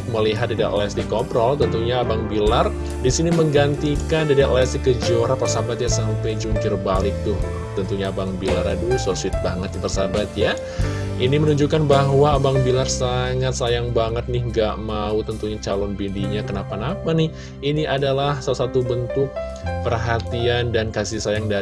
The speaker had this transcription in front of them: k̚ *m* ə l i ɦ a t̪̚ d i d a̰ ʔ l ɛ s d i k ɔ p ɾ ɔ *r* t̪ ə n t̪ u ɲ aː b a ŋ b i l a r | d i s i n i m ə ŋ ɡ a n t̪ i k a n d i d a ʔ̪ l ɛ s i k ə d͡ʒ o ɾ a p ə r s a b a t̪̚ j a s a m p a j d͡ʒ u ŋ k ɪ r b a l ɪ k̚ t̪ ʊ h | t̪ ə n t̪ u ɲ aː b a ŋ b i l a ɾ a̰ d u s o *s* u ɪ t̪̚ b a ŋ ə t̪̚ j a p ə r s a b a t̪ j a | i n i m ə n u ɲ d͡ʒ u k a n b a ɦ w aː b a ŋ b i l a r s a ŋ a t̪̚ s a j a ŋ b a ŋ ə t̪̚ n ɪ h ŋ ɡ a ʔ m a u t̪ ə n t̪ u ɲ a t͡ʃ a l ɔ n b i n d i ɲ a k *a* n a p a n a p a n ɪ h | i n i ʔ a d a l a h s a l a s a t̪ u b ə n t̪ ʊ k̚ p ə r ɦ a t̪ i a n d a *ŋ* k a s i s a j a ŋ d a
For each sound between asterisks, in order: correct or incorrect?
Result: correct, incorrect, correct, incorrect, incorrect

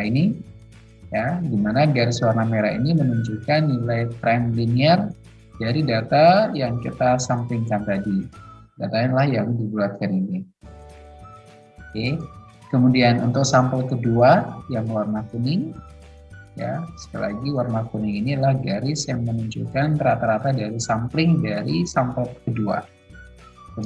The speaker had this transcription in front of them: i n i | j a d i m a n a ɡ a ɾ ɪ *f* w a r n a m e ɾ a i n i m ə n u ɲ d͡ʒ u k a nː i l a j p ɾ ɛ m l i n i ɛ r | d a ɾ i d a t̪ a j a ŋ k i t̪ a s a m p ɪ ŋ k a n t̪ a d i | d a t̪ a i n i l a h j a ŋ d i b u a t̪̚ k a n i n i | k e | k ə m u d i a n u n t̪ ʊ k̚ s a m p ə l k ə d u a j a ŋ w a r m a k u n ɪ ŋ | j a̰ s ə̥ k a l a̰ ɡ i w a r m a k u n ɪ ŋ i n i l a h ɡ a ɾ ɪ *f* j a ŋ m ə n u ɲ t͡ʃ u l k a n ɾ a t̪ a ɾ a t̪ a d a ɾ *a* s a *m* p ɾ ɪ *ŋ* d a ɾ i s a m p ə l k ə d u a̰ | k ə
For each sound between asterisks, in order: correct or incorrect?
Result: incorrect, incorrect, incorrect, correct, correct

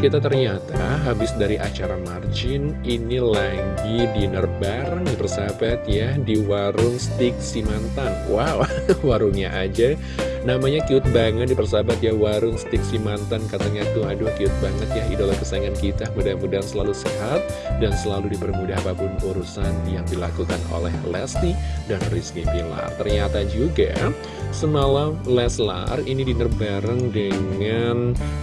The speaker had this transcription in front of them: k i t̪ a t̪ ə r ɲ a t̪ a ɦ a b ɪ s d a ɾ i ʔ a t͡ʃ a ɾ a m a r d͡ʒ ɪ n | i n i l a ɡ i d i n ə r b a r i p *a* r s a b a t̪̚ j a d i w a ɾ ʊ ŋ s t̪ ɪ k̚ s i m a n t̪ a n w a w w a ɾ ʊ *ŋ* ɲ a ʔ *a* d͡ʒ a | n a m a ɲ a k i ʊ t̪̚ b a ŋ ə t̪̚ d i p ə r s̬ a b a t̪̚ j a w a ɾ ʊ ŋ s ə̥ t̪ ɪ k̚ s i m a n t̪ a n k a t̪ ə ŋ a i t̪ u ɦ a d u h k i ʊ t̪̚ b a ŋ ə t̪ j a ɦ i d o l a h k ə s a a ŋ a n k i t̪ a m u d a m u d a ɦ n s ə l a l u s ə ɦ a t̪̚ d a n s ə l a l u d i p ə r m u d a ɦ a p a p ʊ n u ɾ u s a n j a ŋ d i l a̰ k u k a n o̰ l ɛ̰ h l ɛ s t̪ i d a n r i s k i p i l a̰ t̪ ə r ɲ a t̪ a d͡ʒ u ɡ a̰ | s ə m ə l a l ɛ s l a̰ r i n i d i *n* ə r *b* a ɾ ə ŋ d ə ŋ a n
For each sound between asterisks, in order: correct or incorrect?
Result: incorrect, correct, correct, correct, correct

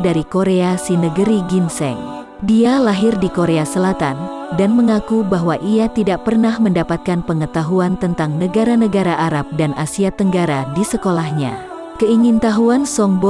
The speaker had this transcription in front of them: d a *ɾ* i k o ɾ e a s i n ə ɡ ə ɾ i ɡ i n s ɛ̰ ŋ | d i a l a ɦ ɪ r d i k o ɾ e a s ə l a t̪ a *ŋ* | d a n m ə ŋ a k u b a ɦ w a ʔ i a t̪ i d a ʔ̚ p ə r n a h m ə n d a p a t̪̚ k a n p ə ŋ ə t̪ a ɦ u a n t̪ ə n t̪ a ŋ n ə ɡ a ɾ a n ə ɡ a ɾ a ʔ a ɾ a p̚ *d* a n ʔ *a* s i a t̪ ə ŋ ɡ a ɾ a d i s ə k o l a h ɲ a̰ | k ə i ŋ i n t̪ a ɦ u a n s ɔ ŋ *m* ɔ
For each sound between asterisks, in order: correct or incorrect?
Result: correct, incorrect, correct, correct, incorrect

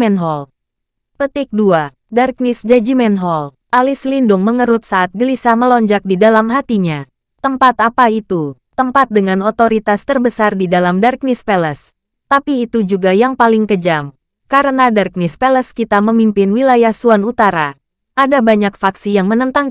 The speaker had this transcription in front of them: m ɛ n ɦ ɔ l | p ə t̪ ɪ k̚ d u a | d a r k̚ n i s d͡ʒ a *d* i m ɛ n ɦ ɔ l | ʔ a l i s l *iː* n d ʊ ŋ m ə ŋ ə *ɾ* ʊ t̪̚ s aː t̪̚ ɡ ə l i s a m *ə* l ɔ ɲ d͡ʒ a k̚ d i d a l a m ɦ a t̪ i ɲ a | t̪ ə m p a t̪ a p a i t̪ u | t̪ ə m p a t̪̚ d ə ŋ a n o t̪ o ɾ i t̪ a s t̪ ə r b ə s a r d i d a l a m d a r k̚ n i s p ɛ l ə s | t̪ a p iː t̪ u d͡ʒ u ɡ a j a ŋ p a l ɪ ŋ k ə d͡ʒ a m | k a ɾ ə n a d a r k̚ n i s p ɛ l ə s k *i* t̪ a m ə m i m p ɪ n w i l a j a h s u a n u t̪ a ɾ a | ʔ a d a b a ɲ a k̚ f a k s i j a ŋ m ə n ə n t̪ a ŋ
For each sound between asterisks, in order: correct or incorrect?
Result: incorrect, incorrect, correct, correct, correct

